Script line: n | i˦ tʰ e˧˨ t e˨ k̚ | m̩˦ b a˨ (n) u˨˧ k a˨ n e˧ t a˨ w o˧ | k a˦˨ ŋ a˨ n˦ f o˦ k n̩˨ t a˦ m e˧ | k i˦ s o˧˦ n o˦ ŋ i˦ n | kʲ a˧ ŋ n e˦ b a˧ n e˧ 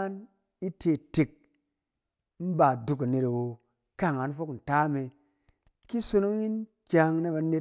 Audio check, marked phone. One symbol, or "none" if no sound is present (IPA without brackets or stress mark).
d